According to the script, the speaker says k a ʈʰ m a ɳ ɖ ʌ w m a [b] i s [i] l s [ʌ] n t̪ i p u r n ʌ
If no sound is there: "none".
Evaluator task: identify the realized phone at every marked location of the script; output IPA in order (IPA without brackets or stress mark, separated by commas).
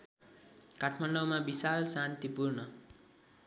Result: b, a, a